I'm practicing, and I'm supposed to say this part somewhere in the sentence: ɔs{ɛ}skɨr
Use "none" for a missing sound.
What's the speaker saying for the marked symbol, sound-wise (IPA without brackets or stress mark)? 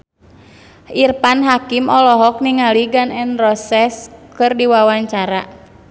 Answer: ɛ